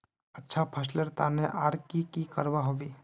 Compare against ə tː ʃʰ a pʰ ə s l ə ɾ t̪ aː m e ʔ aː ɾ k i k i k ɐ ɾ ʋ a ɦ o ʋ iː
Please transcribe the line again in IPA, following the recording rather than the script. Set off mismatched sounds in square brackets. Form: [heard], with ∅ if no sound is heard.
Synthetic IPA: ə tː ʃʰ a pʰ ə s l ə ɾ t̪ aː [n] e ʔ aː ɾ k i k i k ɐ ɾ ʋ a ɦ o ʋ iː